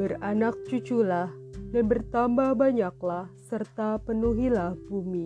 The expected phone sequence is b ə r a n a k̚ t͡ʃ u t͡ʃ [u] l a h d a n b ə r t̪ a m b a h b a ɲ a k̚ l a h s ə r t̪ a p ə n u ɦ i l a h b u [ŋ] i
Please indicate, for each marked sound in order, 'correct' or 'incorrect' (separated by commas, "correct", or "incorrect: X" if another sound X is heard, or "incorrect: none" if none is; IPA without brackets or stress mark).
correct, incorrect: m